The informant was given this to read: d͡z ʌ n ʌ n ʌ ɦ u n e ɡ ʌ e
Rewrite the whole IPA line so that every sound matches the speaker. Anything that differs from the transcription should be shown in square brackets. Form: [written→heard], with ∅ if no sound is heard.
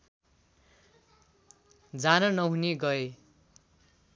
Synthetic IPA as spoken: d͡z [ʌ→a] n ʌ n ʌ ɦ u n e ɡ ʌ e